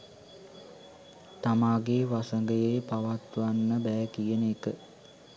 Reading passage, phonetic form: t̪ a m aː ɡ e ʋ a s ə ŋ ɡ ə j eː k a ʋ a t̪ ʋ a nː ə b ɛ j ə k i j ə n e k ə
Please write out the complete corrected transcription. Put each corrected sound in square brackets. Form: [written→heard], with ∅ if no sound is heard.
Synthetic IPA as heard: t̪ a m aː ɡ e ʋ a s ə ŋ ɡ ə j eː [k→p] a ʋ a t̪ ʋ a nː ə b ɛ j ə k i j ə n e k ə